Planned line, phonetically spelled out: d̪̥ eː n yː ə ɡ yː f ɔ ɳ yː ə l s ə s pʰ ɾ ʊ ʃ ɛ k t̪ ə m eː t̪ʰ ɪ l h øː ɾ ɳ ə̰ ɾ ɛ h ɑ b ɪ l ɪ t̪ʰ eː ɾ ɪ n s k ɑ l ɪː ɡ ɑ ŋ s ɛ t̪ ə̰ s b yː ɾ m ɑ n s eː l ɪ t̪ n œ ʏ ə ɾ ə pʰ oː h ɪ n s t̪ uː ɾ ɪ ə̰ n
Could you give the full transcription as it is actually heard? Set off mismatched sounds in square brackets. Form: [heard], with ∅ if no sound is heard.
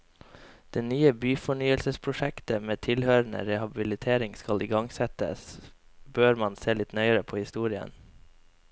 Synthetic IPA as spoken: d̪̥ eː n yː ə [b] yː f ɔ ɳ yː ə l s ə s pʰ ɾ ʊ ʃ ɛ k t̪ ə m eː t̪ʰ ɪ l h øː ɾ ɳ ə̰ ɾ ɛ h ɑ b ɪ l ɪ t̪ʰ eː ɾ ɪ [ŋ] s k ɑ l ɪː ɡ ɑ ŋ s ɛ t̪ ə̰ s b [øː] ɾ m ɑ n s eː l ɪ t̪ n œ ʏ ə ɾ ə pʰ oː h ɪ [∅] s t̪ uː ɾ ɪ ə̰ n

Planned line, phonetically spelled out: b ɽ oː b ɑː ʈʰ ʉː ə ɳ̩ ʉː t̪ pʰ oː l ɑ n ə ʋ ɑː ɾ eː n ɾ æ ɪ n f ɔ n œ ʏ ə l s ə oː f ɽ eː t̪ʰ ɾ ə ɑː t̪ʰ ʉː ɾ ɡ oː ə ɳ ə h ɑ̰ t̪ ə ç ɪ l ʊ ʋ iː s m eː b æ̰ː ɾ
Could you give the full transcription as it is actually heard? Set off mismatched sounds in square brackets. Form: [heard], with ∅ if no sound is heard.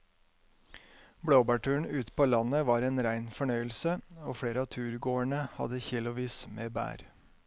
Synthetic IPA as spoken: b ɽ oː b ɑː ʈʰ ʉː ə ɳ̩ ʉː t̪ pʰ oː l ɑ n ə ʋ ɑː ɾ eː n ɾ æ ɪ n f ɔ [ɳ] œ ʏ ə l s ə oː f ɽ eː [∅] ɾ ə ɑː t̪ʰ ʉː ɾ ɡ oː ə ɳ ə h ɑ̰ [d̪] ə ç ɪ l ʊ ʋ iː s m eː b æ̰ː ɾ

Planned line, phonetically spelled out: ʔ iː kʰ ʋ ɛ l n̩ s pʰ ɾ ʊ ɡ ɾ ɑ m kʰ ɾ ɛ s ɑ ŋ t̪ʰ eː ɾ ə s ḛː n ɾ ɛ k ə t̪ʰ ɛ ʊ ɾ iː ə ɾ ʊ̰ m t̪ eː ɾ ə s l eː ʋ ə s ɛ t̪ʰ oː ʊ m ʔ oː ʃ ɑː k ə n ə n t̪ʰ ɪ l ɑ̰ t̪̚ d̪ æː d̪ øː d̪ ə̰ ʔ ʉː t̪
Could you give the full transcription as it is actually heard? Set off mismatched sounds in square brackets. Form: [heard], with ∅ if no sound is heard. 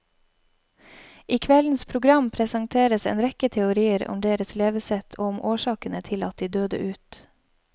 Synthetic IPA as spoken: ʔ iː kʰ ʋ ɛ l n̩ s pʰ ɾ ʊ ɡ ɾ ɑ m [pʰ] ɾ ɛ s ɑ ŋ t̪ʰ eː ɾ ə s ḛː n ɾ ɛ k ə t̪ʰ ɛ ʊ ɾ iː ə ɾ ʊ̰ m [d̪] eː ɾ ə s l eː ʋ ə s ɛ t̪ʰ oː ʊ m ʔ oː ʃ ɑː k ə n ə [∅] t̪ʰ ɪ l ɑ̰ t̪̚ d̪ [iː] d̪ øː d̪ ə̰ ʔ ʉː t̪

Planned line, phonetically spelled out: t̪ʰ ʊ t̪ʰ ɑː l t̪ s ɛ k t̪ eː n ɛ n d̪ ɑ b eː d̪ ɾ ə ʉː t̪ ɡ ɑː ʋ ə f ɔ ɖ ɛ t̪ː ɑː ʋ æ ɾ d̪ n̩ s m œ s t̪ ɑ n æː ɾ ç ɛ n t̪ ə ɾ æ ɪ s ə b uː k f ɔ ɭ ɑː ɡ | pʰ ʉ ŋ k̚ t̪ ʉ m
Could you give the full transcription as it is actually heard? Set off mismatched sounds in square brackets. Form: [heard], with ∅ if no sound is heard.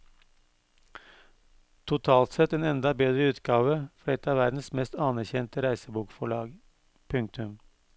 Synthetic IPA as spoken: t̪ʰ ʊ t̪ʰ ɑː l t̪ s ɛ [∅] t̪ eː n ɛ n d̪ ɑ b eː d̪ ɾ ə ʉː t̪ ɡ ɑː ʋ ə f ɔ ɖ ɛ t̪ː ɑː ʋ æ ɾ d̪ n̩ s m [ɛ] s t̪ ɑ n [æ] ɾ ç ɛ n t̪ ə ɾ æ ɪ s ə b uː k f ɔ ɭ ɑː ɡ | pʰ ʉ ŋ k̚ t̪ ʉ m

